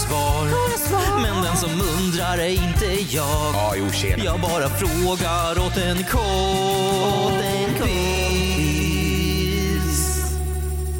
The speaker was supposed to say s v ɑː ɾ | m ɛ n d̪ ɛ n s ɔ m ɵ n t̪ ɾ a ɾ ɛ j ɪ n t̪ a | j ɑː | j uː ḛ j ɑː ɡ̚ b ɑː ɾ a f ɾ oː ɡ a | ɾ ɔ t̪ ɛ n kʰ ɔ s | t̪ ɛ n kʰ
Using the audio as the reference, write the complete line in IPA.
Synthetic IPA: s v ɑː ɾ | m ɛ n d̪ ɛ n s ɔ m ɵ n d̪ ɾ a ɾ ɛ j ɪ n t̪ ə | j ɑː | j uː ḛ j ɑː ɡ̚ b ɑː ɾ a f ɾ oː ɡ a | ɾ ɔ t̪ ɛ n kʰ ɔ | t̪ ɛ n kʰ